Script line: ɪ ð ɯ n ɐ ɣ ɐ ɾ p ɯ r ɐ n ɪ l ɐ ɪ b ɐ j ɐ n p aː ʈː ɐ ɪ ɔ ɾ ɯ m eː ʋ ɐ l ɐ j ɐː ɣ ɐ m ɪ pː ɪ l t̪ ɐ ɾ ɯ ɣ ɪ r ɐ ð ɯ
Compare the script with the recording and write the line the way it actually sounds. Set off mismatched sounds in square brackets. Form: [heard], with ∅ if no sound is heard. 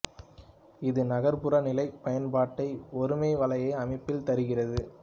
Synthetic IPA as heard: ɪ ð ɯ n ɐ ɣ ɐ ɾ p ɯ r ɐ n ɪ l ɐ ɪ [p] ɐ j ɐ n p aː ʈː ɐ ɪ ɔ ɾ ɯ m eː ʋ ɐ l ɐ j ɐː [∅] ɐ m ɪ pː ɪ l t̪ ɐ ɾ ɯ ɣ ɪ r ɐ ð ɯ